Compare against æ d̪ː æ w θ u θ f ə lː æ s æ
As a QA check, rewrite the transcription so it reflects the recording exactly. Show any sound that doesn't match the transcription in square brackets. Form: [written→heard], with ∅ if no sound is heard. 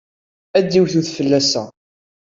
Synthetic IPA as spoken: æ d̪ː [æ→i] w θ u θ f ə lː æ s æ